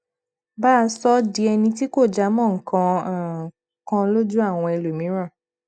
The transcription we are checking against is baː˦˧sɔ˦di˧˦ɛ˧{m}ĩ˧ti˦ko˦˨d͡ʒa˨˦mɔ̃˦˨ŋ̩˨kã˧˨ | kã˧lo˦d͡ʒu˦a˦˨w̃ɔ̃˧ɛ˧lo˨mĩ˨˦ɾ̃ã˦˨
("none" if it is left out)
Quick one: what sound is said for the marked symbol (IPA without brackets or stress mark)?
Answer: n